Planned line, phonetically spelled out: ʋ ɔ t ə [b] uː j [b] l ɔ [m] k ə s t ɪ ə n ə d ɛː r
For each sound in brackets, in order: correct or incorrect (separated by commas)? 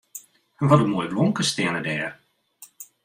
incorrect, correct, incorrect